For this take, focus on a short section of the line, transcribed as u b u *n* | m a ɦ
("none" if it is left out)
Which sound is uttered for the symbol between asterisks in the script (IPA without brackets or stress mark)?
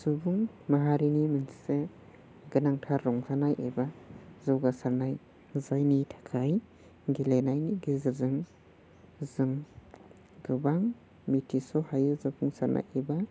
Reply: ŋ